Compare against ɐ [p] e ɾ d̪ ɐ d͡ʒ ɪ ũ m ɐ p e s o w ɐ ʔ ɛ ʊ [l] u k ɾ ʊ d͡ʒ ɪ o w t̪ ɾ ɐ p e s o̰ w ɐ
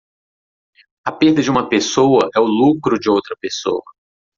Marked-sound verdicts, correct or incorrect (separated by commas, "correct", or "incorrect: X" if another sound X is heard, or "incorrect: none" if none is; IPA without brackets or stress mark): correct, correct